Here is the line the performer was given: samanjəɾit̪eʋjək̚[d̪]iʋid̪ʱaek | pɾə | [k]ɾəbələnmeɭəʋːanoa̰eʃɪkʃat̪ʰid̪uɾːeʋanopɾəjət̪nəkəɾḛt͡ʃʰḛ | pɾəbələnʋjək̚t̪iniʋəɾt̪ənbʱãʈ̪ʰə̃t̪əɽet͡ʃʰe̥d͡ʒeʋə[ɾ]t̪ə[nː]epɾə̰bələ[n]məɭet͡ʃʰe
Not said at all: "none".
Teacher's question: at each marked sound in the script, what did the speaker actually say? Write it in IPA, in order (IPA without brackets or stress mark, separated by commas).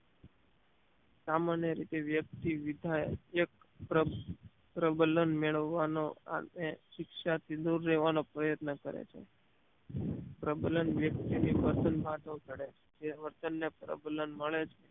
t̪, p, ɾ, nː, n